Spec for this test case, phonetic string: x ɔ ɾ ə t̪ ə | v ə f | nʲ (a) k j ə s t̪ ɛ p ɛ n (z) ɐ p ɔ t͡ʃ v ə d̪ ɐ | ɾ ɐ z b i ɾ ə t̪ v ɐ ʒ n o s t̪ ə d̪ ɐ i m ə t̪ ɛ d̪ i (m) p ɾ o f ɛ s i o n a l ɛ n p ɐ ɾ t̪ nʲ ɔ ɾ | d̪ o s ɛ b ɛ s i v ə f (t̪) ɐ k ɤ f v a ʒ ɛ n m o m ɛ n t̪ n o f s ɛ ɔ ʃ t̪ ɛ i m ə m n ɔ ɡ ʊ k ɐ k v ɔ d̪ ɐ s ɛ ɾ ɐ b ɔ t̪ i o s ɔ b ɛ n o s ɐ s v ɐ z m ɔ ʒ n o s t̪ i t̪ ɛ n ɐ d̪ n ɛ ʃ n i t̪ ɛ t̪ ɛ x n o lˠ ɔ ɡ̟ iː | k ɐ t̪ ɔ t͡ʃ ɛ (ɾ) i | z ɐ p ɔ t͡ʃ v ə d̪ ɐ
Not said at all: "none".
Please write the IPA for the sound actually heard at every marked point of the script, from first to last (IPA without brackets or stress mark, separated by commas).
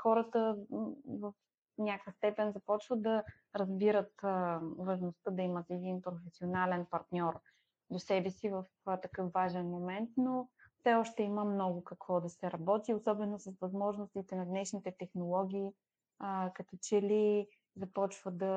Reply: a, z, n, t̪, l